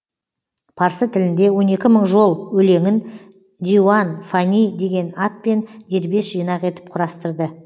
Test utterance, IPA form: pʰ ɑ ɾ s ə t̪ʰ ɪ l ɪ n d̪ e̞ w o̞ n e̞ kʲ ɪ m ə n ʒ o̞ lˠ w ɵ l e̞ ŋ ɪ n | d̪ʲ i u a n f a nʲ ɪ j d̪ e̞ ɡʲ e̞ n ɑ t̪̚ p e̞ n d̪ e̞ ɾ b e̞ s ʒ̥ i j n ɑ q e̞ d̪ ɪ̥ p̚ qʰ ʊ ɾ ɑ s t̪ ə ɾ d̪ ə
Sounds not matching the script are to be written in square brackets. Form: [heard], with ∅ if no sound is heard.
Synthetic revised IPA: pʰ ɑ ɾ s ə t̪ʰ ɪ l ɪ n d̪ e̞ w o̞ n e̞ kʲ ɪ m ə [ɴ] ʒ o̞ lˠ w ɵ l e̞ ŋ ɪ n | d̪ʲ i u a n f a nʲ [i] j d̪ e̞ ɡʲ e̞ n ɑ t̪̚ p e̞ n d̪ e̞ ɾ b e̞ s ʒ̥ i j n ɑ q e̞ [t̪] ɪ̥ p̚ qʰ ʊ ɾ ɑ s t̪ ə ɾ d̪ ə

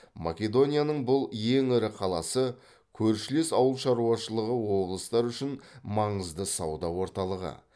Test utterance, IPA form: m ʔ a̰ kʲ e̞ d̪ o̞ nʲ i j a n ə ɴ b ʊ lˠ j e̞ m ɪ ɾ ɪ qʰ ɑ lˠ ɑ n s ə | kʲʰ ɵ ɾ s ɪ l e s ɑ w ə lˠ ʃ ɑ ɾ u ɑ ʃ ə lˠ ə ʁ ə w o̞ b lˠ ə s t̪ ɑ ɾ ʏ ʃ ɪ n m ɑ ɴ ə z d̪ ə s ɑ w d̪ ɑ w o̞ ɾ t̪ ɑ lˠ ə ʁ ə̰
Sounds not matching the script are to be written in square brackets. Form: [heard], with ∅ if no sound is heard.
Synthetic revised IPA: m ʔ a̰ kʲ e̞ d̪ o̞ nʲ i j a n ə ɴ b ʊ lˠ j e̞ [ŋ] ɪ ɾ ɪ qʰ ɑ lˠ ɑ [∅] s ə | kʲʰ ɵ ɾ [ʃ] ɪ l e s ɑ w ə lˠ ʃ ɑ ɾ u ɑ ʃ ə lˠ ə ʁ ə w o̞ b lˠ ə s t̪ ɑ ɾ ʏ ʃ ɪ n m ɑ ɴ ə z d̪ ə s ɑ w d̪ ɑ w o̞ ɾ t̪ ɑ lˠ ə ʁ ə̰

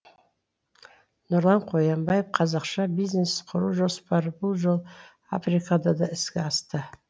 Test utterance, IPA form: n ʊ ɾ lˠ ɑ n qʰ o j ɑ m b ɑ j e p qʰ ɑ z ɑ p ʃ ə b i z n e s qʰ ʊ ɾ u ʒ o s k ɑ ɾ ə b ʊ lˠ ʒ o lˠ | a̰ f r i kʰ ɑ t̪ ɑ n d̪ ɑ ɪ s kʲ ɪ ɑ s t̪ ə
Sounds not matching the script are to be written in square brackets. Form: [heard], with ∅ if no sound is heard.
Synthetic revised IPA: n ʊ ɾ lˠ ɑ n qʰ o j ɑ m b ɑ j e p qʰ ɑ z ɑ [q] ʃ [ɑ] b i z n e s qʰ ʊ ɾ u ʒ o s [p] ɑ ɾ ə b ʊ lˠ ʒ o lˠ | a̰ f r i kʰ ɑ [d̪] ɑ [∅] d̪ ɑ ɪ s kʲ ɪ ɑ s t̪ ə

